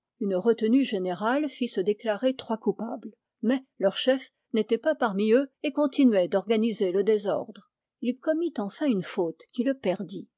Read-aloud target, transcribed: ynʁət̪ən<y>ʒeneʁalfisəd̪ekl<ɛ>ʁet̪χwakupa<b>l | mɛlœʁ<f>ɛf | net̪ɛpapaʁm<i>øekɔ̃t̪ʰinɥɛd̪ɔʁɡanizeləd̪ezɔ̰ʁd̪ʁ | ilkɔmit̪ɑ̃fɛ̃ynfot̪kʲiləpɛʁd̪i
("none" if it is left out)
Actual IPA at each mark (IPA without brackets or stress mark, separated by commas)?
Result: y, a, b, ʃ, i